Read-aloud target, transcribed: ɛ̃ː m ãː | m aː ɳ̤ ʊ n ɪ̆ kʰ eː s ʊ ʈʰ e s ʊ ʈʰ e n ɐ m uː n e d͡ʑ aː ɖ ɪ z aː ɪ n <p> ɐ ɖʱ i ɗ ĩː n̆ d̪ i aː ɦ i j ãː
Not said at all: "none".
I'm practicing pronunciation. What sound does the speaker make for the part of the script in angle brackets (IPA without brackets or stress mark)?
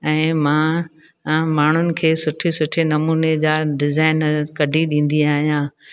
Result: k